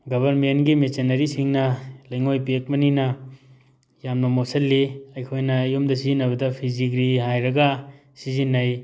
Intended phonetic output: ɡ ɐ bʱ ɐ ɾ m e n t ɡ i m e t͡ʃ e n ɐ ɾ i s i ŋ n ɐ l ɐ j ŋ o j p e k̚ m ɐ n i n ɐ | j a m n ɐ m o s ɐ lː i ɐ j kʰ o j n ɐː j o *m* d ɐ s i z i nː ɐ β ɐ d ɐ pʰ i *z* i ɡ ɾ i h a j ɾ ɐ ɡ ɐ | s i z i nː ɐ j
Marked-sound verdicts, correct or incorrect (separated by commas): correct, correct